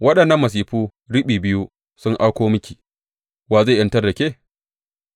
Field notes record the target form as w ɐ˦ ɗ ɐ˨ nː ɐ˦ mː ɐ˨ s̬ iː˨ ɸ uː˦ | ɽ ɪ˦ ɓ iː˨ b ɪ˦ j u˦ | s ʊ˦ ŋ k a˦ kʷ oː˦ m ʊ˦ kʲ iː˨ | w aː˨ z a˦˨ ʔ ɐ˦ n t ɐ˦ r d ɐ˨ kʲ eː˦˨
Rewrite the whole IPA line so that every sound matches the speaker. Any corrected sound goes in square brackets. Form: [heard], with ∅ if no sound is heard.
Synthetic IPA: w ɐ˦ ɗ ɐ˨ nː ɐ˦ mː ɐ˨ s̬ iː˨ ɸ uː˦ | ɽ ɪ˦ ɓ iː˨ b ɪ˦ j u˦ | s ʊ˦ ŋ [ʔ] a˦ kʷ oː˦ m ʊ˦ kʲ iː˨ | w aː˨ z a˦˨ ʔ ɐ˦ n t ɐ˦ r d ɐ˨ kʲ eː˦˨